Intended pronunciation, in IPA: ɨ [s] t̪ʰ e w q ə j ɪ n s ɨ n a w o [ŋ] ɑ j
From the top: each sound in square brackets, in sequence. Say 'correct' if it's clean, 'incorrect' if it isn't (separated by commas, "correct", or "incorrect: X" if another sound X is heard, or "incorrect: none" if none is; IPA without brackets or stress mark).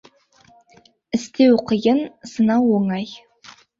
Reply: correct, correct